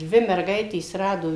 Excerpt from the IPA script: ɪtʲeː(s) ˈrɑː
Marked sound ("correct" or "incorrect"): correct